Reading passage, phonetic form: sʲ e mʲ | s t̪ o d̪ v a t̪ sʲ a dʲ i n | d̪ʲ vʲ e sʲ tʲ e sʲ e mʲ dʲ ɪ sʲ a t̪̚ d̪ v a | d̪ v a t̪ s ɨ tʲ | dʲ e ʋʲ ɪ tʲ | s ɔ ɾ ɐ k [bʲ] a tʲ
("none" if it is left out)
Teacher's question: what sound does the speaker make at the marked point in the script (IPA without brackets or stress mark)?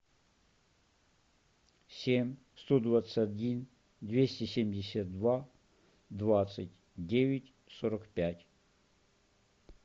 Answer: pʲ